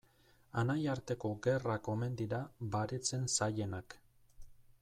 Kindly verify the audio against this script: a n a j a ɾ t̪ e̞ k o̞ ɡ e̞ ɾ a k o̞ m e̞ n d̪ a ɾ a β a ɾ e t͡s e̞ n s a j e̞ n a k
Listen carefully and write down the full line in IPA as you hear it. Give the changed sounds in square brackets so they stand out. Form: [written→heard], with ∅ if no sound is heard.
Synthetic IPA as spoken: a n a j a ɾ t̪ e̞ k o̞ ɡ e̞ [ɾ→r] a k o̞ m e̞ n d̪ [a→i] ɾ a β a ɾ e t͡s e̞ n s a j e̞ n a k